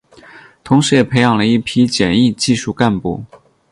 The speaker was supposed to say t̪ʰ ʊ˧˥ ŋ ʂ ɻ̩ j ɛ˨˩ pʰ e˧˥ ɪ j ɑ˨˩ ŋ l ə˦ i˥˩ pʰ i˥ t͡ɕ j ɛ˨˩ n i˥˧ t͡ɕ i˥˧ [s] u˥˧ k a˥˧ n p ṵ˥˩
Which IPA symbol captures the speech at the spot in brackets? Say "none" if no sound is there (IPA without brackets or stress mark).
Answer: ʂ